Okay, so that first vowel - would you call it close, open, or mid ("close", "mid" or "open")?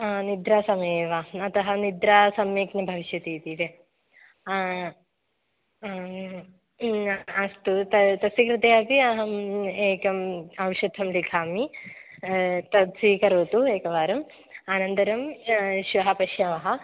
close